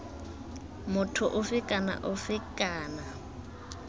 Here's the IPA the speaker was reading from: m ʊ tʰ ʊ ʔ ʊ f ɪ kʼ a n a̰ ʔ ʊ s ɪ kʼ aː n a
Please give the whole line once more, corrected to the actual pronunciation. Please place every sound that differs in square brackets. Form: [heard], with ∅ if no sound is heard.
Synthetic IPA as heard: m ʊ tʰ ʊ ʔ ʊ f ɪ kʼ a n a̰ ʔ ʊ [f] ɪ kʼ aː n a